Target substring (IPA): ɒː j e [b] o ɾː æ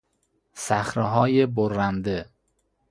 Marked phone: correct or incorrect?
correct